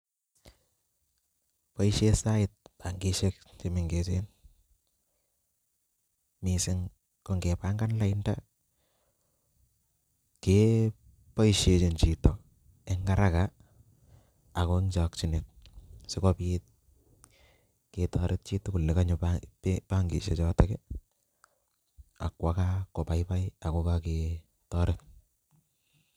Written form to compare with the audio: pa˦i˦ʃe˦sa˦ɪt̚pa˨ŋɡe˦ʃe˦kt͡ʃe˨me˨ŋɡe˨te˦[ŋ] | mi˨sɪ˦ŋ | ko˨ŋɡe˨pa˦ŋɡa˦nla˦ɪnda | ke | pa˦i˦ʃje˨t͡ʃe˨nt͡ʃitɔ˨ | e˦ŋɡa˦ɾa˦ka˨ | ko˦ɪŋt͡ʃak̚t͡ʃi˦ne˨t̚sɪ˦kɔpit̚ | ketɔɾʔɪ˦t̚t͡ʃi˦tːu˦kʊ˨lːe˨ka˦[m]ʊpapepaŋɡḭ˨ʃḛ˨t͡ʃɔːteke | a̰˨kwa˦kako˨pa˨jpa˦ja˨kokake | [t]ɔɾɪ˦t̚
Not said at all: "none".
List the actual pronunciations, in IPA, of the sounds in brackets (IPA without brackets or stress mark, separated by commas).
n, ɲ, t